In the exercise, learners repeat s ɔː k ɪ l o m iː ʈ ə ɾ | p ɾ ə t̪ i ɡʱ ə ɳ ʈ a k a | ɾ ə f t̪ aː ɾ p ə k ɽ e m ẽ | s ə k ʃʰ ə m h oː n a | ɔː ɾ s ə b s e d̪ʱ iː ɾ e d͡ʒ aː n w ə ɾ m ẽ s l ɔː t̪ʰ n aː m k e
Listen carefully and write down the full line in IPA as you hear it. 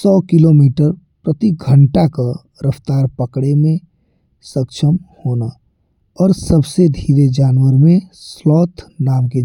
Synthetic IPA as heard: s ɔː k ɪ l o m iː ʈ ə ɾ | p ɾ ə t̪ i ɡʱ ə ɳ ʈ a k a | ɾ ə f t̪ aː ɾ p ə k ɽ e m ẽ | s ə k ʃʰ ə m h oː n a | ɔː ɾ s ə b s e d̪ʱ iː ɾ e d͡ʒ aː n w ə ɾ m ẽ s l ɔː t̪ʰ n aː m k e